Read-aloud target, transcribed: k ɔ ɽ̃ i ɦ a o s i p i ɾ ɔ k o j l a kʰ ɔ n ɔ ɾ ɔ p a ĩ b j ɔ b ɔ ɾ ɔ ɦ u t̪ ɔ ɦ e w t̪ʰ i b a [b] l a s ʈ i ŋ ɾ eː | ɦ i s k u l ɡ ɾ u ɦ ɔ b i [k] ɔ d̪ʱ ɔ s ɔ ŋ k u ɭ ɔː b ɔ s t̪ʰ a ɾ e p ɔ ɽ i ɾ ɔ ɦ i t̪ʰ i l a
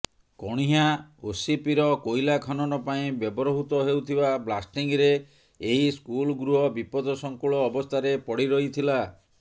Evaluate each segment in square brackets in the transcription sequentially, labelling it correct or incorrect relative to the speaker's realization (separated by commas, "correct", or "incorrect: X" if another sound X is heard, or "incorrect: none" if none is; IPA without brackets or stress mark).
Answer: correct, incorrect: p